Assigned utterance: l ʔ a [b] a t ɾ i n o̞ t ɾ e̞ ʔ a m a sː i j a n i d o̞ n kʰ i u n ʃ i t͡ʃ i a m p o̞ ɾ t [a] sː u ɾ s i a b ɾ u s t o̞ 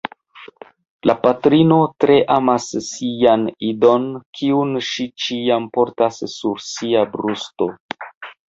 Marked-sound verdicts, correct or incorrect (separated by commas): incorrect, correct